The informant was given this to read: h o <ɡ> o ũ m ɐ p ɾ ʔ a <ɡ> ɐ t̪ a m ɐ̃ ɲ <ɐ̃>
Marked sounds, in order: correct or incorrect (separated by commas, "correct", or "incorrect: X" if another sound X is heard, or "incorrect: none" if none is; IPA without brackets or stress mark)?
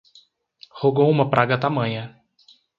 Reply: correct, correct, incorrect: ɐ